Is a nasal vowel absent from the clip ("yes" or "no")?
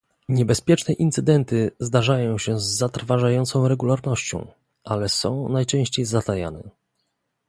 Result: no